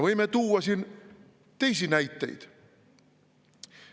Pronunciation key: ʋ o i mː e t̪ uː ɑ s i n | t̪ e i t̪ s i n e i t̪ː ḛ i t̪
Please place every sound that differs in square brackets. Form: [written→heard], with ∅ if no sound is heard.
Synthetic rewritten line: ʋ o i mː e t̪ uː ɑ s i n | t̪ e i [t̪→∅] s i n [e→æ] i t̪ː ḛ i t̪